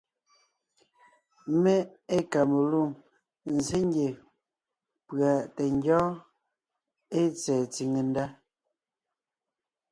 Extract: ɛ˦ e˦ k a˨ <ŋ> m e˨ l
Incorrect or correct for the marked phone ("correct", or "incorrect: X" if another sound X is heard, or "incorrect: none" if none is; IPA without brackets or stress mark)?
incorrect: none